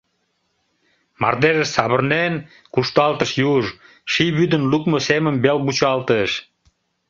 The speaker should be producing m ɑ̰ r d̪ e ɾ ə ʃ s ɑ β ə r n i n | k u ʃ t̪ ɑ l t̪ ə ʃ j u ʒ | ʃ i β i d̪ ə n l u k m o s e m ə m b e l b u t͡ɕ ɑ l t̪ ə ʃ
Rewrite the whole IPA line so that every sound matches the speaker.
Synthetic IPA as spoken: m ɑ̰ r d̪ e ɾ ə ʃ s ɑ β ə r n e n | k u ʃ t̪ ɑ l t̪ ə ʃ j u ʒ | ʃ i β y d̪ ə n l u k m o s e m ə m b e l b u t͡ɕ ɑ l t̪ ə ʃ